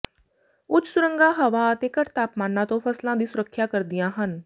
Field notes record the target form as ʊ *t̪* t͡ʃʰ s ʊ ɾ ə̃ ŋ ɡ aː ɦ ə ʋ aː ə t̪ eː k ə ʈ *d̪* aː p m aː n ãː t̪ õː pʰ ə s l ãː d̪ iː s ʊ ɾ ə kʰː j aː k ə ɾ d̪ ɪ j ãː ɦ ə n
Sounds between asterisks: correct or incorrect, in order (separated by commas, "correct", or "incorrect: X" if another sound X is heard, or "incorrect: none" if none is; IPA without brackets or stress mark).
incorrect: none, incorrect: t̪